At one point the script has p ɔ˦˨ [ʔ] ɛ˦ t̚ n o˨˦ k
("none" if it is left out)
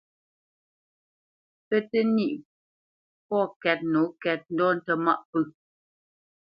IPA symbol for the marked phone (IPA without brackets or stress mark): k